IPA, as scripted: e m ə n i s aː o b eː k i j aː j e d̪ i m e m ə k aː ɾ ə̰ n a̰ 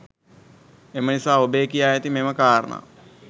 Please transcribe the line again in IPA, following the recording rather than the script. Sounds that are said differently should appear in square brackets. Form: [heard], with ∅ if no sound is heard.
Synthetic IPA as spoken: e m ə n i s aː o b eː k i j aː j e [t̪] i m e m ə k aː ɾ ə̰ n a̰

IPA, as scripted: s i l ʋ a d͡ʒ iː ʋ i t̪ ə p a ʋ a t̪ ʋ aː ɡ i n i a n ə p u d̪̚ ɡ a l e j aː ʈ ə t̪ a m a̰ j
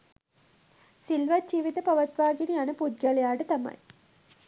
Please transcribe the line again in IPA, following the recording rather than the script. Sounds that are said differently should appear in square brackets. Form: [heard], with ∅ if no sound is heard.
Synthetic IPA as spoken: s i l ʋ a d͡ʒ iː ʋ i t̪ ə p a ʋ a t̪ ʋ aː ɡ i n i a n ə p u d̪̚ ɡ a l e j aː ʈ ə t̪ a m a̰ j

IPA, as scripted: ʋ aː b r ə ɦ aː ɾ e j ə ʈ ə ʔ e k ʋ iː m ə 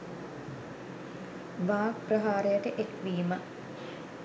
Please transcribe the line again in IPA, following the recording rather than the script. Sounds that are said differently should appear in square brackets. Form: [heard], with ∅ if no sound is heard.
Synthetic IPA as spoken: ʋ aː [p] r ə ɦ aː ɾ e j ə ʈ ə ʔ e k ʋ iː m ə

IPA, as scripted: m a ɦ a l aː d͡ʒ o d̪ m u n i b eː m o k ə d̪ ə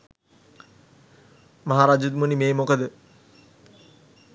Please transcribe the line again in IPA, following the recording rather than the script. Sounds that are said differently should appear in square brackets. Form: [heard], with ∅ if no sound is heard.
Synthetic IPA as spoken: m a ɦ a [ɾ] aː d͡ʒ [u] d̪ m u n i [m] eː m o k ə d̪ ə

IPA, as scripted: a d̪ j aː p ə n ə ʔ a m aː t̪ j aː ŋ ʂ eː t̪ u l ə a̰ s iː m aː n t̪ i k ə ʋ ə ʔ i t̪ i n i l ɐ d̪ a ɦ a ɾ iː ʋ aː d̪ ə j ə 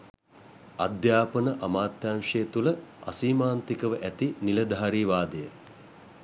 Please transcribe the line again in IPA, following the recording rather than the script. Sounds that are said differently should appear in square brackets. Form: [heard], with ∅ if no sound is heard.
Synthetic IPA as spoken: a d̪ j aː p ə n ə ʔ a m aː t̪ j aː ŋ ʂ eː t̪ u l ə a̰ s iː m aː n t̪ i k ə ʋ ə ʔ [æ] t̪ i n i l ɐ d̪ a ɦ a ɾ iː ʋ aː d̪ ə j ə

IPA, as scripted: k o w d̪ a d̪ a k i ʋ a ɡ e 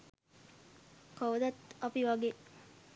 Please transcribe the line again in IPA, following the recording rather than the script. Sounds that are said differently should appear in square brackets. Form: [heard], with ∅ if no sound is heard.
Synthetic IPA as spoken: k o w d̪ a [t̪] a [p] i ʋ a ɡ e

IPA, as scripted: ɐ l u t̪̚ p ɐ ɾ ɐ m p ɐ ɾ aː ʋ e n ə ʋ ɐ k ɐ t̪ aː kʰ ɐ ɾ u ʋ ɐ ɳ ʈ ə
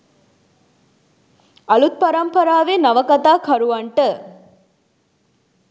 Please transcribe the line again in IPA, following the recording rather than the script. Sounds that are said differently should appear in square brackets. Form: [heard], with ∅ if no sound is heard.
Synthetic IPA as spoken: ɐ l u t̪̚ p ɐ ɾ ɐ m p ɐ ɾ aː ʋ e n [ɐ] ʋ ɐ k ɐ t̪ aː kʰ ɐ ɾ u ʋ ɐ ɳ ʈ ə

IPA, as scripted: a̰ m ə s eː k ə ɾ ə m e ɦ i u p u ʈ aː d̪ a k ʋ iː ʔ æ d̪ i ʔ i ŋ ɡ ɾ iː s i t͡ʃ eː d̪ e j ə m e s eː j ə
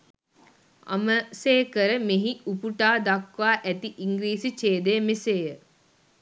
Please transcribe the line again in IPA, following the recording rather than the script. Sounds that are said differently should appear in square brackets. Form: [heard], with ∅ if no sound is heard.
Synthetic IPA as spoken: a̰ m ə s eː k ə ɾ ə m e ɦ i u p u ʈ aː d̪ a k ʋ [aː] ʔ æ [t̪] i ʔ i ŋ ɡ ɾ iː s i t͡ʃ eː d̪ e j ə m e s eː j ə

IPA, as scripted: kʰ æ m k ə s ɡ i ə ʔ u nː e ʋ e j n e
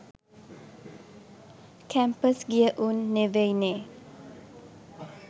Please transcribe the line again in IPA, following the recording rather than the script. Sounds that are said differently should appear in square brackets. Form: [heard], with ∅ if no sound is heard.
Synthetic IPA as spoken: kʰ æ m [p] ə s ɡ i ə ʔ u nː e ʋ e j n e

